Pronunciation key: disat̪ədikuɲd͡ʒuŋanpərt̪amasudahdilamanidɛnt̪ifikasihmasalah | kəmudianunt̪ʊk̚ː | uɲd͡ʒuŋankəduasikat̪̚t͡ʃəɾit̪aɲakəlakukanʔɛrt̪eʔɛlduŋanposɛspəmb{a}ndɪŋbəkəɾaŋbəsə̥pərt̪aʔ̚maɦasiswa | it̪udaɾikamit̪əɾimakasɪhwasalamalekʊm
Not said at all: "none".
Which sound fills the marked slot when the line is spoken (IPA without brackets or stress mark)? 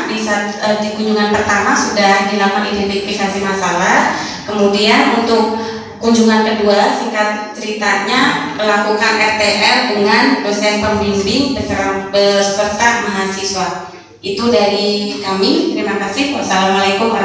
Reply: i